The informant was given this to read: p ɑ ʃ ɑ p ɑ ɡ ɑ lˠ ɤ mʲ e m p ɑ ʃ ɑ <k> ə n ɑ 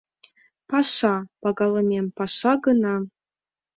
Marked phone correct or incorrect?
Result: incorrect